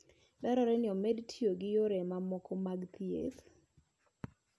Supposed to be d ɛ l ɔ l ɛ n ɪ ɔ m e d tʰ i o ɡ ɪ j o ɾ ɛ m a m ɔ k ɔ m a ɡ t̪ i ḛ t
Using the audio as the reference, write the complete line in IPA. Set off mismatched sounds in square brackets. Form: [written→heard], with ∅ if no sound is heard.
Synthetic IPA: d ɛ [l→ɾ] ɔ [l→ɾ] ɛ n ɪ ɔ m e d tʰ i o ɡ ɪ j o ɾ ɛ m a m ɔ k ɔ m a ɡ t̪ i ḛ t